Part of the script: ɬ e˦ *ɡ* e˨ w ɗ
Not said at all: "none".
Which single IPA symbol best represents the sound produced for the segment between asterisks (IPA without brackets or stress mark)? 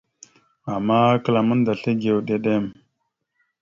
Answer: ɡ